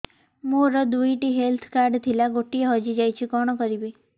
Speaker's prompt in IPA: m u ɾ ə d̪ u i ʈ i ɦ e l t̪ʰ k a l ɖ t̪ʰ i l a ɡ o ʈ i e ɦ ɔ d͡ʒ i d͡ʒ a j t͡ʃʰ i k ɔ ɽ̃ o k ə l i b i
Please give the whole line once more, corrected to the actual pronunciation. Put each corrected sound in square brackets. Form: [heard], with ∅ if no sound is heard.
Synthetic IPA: m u ɾ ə d̪ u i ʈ i ɦ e l t̪ʰ k a [ɾ] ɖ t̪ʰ i l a ɡ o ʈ i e ɦ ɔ d͡ʒ i d͡ʒ a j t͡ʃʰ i k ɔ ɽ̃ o k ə [ɾ] i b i